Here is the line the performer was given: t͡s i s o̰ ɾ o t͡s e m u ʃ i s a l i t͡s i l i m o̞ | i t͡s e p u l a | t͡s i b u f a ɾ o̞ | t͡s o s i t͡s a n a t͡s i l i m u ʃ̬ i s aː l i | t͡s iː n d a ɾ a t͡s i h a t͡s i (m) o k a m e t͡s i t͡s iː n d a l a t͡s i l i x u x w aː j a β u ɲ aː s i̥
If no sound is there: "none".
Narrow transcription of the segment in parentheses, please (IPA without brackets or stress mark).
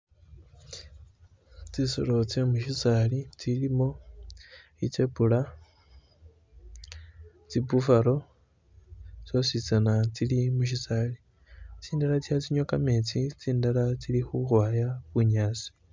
ɲ